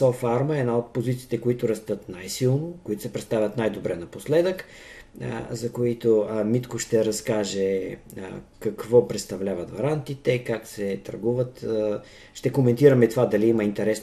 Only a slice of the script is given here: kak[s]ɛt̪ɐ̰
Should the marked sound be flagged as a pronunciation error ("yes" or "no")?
no